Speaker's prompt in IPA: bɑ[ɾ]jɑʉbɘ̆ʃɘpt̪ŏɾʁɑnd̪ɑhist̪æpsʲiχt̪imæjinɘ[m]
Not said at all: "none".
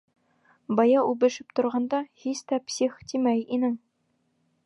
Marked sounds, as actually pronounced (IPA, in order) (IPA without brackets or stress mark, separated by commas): none, ŋ